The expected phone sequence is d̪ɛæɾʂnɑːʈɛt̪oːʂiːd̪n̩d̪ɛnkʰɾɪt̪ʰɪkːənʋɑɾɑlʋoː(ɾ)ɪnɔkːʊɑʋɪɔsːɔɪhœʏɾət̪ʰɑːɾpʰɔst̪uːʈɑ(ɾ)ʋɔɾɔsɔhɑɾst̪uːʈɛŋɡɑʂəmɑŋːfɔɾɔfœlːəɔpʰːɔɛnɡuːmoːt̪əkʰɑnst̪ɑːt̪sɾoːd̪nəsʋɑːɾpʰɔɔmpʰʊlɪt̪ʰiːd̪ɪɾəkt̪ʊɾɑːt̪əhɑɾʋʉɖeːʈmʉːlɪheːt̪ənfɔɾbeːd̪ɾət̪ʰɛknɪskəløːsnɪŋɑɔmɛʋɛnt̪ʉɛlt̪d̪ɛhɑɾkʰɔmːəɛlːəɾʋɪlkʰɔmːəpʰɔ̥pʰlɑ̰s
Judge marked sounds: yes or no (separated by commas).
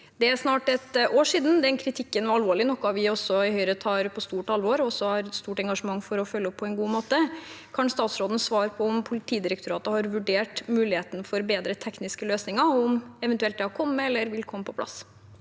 no, no